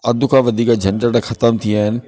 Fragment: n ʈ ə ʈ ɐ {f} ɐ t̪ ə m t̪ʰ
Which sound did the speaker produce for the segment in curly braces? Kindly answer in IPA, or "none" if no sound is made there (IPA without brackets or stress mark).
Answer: x